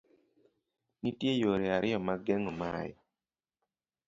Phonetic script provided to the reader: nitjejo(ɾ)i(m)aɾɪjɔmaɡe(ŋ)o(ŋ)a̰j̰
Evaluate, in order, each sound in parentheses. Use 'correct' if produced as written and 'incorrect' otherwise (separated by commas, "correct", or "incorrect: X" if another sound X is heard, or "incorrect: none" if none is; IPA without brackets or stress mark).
correct, incorrect: none, correct, incorrect: m